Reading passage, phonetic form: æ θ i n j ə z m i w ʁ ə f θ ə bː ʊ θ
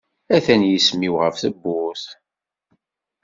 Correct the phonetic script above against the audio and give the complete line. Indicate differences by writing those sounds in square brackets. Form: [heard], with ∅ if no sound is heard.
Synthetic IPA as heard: æ θ [æ] n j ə [s] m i w ʁ ə f θ ə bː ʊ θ